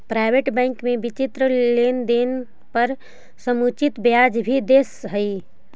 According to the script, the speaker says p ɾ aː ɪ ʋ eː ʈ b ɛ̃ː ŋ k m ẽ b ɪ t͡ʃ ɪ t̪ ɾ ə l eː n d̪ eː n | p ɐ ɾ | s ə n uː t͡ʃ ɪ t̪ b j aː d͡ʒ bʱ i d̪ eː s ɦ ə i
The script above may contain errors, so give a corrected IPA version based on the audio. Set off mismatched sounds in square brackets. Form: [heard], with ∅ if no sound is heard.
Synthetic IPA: p ɾ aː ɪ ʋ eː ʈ b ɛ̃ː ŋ k m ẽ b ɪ t͡ʃ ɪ t̪ ɾ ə l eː n d̪ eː n | p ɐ ɾ | s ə [m] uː t͡ʃ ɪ t̪ b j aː d͡ʒ bʱ i d̪ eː s ɦ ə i